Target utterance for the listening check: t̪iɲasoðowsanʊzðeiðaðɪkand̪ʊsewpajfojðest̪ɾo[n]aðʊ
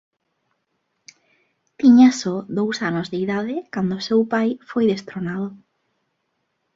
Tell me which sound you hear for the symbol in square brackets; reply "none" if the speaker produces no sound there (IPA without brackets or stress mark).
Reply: n